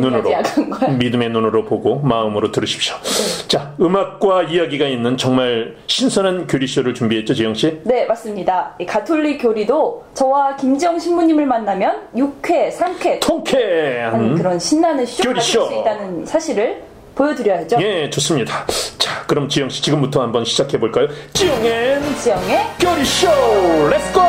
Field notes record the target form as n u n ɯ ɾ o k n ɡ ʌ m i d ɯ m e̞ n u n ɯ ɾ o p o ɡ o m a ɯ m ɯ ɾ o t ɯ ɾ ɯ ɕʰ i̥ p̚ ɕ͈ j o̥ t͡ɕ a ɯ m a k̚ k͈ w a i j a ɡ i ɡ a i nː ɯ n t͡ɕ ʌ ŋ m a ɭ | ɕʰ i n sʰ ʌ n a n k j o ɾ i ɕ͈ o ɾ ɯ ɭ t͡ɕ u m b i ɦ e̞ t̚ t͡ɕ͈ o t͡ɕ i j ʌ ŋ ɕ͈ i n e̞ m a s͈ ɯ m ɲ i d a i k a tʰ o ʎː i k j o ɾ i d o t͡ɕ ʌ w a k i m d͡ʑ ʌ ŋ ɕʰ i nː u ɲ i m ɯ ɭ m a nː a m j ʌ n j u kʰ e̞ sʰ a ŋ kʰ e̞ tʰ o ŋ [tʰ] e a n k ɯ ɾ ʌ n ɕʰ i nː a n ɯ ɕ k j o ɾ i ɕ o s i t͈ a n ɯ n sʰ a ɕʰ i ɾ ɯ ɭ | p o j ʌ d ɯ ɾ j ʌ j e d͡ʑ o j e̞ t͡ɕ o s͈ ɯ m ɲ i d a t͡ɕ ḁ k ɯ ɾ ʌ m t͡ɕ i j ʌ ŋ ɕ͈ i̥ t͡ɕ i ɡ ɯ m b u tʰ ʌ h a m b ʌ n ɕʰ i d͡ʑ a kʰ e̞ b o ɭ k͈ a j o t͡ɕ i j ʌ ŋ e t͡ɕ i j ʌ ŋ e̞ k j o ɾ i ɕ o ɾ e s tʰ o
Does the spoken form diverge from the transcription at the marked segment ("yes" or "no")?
yes